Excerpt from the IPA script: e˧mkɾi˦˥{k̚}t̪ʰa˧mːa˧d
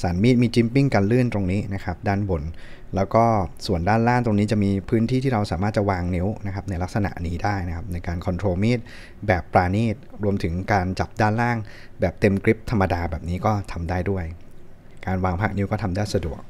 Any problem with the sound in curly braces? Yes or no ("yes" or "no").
yes